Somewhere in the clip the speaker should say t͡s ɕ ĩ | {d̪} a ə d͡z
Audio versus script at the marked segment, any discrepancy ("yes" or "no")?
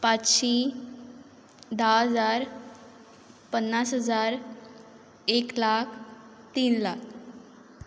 no